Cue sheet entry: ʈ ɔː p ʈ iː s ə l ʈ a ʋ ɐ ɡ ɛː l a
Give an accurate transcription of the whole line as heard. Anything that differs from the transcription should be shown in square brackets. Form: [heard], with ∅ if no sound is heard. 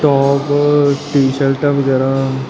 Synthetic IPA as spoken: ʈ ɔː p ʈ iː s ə l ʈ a ʋ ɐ ɡ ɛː [ɾ] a